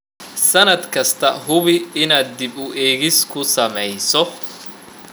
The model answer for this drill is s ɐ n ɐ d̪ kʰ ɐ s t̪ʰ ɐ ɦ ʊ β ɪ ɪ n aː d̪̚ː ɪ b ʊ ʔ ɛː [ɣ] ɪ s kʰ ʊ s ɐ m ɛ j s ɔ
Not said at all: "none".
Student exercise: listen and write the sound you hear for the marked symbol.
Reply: ɣ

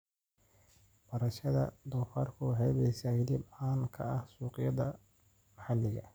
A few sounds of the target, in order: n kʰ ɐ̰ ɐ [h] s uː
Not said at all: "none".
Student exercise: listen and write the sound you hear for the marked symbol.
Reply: h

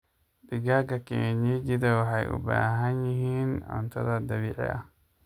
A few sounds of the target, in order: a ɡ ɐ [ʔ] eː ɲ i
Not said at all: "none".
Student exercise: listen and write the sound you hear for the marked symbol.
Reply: k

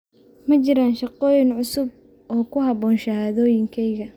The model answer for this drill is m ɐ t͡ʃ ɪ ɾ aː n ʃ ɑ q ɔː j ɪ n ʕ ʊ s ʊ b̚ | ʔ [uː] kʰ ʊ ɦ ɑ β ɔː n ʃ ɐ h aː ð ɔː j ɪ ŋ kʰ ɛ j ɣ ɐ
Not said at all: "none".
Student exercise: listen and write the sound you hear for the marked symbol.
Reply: ɔː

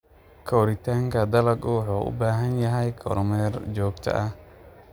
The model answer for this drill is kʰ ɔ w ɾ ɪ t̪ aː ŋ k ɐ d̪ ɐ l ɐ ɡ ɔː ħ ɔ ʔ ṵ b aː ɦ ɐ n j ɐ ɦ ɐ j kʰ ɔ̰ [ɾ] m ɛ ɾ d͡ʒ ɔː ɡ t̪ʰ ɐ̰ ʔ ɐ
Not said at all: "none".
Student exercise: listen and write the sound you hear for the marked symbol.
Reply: ɾ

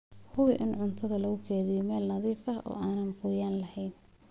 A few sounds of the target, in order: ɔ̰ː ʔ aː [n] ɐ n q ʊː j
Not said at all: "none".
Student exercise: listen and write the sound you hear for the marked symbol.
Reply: n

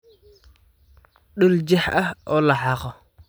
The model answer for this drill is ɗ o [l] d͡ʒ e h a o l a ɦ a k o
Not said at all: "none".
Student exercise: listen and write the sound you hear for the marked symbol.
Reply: l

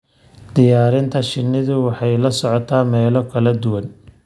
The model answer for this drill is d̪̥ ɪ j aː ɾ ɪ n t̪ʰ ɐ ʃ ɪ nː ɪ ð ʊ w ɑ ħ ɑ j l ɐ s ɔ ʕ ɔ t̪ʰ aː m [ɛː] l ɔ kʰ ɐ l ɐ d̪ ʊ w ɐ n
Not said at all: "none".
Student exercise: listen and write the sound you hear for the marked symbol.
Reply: ɛː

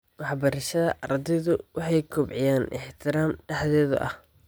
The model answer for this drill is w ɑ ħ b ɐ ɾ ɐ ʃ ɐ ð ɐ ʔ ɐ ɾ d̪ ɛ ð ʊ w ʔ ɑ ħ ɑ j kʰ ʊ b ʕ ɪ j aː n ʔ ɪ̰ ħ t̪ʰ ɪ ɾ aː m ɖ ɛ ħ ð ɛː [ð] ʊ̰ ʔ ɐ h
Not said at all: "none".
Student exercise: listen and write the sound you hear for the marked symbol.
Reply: ð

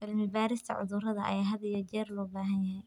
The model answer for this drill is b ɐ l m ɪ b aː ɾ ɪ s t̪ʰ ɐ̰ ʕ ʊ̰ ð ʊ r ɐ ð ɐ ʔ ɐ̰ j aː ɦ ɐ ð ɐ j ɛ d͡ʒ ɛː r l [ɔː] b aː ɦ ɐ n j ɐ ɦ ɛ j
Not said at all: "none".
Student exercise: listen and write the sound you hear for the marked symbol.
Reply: ɔː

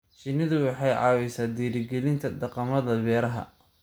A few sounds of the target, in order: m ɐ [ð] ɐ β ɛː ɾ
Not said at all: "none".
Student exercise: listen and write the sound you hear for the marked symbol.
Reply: ð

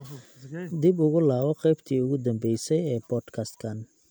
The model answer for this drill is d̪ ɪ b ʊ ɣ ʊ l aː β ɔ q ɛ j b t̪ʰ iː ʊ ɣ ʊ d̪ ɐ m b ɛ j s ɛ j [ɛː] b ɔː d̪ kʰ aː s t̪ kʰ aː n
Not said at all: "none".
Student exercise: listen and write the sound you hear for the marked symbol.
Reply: ɛː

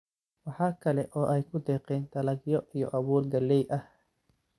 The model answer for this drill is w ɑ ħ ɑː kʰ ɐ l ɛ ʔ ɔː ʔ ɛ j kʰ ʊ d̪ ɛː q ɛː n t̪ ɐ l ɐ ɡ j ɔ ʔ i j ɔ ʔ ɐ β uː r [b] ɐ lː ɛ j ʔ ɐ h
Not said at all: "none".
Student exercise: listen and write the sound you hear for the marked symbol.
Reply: ɡ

